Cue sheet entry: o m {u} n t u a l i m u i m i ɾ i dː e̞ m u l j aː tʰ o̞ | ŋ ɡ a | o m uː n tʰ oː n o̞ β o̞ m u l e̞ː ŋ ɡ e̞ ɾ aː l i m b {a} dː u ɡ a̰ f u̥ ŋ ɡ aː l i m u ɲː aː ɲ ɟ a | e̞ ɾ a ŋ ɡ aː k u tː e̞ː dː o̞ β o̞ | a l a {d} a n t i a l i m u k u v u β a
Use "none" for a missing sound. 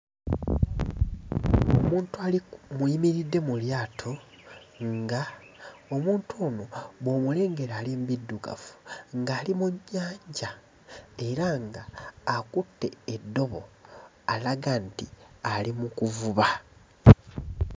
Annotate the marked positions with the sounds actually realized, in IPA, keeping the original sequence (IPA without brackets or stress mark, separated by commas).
uː, i, ɡ